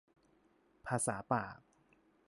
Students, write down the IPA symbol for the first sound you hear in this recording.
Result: pʰ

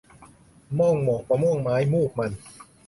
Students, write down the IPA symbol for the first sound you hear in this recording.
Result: m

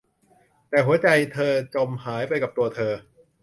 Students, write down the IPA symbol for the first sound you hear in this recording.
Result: t̪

